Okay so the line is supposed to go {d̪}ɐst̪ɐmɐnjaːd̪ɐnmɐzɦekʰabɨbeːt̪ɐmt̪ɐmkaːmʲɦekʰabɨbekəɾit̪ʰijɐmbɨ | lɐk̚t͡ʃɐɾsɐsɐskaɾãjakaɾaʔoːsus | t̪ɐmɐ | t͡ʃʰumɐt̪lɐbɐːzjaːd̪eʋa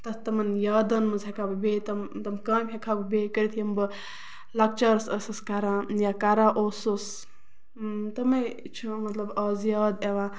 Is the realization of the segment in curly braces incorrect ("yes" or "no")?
yes